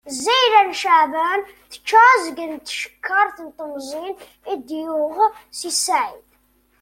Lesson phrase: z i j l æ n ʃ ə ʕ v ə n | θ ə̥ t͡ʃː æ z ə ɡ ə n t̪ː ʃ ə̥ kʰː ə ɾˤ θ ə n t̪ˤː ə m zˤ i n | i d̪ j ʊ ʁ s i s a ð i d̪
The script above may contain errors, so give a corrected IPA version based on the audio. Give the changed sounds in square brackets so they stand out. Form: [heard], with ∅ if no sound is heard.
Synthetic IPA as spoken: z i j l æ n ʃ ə ʕ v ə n | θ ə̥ t͡ʃː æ z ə ɡ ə n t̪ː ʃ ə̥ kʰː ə ɾˤ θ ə n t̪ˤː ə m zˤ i n | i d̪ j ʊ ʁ s i s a [ʕ] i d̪